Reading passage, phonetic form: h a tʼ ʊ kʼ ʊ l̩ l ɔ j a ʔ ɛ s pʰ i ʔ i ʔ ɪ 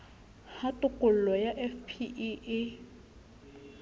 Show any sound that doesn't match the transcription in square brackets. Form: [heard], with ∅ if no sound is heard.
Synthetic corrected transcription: h a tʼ ʊ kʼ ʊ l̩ l ɔ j a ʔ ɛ [f] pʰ i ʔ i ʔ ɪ